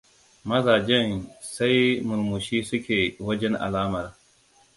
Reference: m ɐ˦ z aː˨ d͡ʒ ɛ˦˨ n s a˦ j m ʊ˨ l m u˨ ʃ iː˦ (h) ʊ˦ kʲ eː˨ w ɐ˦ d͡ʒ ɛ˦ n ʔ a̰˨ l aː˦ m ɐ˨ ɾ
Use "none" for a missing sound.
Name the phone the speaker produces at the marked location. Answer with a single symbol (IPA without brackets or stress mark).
s